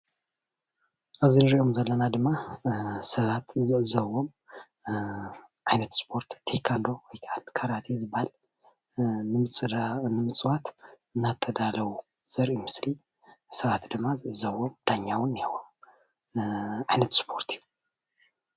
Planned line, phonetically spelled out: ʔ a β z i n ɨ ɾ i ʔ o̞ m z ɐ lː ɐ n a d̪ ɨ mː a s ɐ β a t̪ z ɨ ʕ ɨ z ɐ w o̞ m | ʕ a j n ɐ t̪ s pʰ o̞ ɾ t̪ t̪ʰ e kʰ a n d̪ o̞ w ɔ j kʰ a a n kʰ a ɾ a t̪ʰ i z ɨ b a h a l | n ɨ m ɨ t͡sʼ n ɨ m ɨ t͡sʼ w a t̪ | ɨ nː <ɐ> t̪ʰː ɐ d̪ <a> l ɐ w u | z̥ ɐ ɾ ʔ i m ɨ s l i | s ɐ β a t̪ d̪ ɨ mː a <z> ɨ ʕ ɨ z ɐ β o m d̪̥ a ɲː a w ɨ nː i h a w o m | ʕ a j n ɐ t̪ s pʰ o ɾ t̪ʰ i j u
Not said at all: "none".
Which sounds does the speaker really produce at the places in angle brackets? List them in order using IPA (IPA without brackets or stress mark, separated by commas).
a, a, z